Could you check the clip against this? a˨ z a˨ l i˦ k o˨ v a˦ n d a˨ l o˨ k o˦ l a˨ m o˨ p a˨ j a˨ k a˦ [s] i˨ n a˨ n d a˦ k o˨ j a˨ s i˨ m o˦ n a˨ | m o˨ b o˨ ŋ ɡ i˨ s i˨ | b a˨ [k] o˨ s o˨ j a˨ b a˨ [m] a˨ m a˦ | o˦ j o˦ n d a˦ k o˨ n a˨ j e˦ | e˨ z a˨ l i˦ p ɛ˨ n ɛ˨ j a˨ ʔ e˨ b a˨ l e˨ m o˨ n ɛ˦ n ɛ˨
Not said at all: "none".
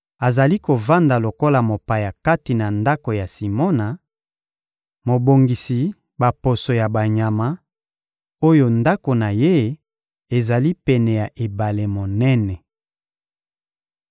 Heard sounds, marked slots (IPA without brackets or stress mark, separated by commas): t, p, ɲ